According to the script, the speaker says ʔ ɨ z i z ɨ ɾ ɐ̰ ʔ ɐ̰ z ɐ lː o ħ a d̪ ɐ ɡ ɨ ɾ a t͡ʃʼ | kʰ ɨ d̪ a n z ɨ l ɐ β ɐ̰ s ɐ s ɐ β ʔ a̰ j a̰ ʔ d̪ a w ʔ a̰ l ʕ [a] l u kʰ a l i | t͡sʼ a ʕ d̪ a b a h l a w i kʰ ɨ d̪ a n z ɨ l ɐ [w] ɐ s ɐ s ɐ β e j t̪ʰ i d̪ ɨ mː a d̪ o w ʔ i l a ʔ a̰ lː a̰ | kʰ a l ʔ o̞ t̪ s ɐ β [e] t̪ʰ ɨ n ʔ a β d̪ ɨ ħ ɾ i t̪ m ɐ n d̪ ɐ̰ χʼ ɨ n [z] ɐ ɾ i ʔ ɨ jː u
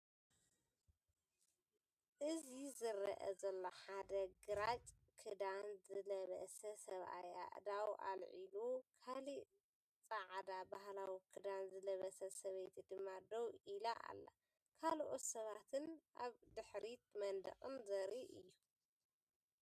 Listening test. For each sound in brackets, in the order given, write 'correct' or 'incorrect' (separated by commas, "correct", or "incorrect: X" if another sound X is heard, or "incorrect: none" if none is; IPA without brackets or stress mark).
incorrect: i, incorrect: β, incorrect: a, correct